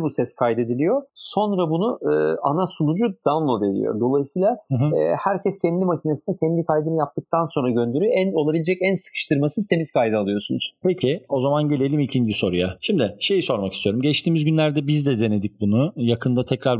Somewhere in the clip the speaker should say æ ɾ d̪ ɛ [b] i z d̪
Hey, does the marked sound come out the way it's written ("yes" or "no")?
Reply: yes